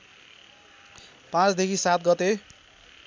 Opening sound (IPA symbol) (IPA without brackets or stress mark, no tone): p